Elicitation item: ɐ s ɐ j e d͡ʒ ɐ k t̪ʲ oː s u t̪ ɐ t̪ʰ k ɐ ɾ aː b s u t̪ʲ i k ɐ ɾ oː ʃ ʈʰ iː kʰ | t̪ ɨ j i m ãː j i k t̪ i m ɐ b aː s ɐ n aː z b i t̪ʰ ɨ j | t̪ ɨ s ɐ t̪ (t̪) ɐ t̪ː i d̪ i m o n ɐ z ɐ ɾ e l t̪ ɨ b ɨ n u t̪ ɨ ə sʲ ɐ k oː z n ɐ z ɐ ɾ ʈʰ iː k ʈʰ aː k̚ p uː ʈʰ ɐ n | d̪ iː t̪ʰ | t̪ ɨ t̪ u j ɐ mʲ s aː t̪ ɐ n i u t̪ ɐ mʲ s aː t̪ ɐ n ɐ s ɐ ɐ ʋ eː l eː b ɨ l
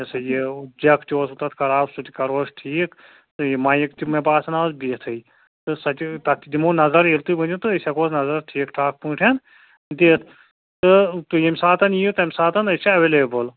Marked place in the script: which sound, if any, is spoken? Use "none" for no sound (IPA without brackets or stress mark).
t̪